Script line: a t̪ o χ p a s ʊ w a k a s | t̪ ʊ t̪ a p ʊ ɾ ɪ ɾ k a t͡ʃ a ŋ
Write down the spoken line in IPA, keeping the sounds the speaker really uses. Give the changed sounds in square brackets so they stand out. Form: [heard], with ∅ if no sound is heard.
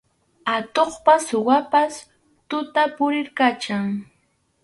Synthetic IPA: a t̪ o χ p a s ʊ w a [p] a s | t̪ ʊ t̪ a p ʊ ɾ ɪ ɾ k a t͡ʃ a ŋ